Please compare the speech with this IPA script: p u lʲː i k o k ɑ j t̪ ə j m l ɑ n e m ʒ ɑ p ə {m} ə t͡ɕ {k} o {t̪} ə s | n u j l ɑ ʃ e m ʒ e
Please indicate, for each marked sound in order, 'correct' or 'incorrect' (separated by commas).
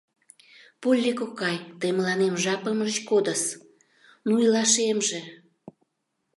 correct, correct, incorrect